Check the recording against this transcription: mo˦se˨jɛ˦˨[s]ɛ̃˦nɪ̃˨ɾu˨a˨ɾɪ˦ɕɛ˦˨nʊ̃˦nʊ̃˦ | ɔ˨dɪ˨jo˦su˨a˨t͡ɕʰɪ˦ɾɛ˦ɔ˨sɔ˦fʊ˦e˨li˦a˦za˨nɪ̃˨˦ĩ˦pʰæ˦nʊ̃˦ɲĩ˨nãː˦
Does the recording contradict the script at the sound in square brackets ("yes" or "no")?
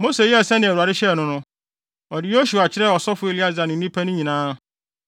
no